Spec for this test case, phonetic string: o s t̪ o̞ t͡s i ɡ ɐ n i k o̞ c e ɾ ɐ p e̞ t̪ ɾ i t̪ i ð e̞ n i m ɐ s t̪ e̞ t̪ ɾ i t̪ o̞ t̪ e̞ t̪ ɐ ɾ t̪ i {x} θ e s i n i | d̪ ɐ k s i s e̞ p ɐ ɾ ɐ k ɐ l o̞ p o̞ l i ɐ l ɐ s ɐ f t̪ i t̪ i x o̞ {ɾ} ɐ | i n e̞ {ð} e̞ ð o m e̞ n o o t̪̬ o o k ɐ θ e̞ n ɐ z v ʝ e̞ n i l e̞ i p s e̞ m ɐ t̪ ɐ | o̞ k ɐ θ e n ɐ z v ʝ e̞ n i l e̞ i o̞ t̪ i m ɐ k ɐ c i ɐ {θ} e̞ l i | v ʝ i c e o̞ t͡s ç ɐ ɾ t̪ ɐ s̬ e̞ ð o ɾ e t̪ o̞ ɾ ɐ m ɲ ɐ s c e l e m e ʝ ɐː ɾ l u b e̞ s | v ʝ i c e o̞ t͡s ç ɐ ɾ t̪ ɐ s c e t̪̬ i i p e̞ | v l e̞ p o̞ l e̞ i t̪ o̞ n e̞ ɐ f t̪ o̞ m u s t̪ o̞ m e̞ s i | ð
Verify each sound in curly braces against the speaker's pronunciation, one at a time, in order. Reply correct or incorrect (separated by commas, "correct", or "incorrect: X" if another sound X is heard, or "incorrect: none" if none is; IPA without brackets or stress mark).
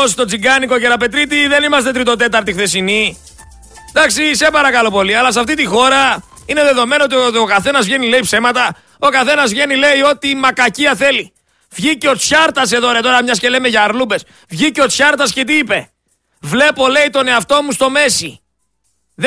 correct, correct, correct, correct